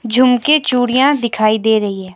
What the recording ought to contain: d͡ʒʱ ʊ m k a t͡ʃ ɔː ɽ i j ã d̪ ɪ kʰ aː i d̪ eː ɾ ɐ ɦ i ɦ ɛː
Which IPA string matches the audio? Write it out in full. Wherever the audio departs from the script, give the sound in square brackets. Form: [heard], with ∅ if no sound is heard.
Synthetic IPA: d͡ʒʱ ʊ m k [e] t͡ʃ [uː] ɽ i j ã d̪ ɪ kʰ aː i d̪ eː ɾ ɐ ɦ i ɦ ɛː